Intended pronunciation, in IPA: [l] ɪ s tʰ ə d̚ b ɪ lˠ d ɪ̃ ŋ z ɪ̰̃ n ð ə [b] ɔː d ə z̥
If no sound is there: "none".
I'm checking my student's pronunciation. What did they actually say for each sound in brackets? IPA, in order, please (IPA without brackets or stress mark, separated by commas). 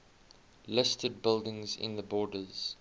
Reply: l, b